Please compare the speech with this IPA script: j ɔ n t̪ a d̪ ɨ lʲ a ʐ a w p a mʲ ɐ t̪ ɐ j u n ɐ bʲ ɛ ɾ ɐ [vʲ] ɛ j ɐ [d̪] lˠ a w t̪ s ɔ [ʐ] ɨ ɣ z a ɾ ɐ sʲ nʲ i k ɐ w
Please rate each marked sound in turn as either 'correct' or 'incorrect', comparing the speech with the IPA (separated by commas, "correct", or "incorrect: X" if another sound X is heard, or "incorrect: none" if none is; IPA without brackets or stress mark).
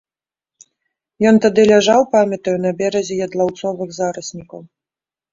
incorrect: zʲ, correct, incorrect: v